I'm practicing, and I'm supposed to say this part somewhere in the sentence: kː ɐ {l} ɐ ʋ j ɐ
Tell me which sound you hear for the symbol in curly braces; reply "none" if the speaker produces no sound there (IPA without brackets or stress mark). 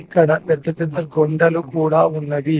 ɽ